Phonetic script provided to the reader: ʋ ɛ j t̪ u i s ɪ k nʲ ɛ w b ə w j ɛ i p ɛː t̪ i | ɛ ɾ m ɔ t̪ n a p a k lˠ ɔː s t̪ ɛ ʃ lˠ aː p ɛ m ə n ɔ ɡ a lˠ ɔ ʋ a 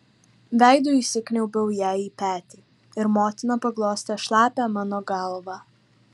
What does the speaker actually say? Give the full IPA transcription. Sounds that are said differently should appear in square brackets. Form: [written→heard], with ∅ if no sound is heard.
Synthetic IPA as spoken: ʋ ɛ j [t̪→d̪] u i s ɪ k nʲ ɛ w b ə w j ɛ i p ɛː t̪ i | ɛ ɾ m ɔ t̪ n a p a [k→ɡ] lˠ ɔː s t̪ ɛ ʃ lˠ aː p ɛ m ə n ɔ ɡ a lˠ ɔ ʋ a